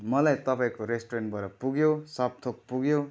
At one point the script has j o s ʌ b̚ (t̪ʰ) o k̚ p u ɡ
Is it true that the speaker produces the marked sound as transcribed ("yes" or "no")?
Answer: yes